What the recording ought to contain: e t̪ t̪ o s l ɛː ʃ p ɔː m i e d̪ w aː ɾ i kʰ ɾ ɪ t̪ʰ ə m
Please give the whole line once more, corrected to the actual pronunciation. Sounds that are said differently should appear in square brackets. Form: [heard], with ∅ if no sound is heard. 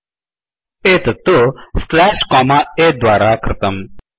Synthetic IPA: e t̪ t̪ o s l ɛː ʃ [k] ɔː m [a] e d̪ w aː ɾ [a] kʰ ɾ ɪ [t̪] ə m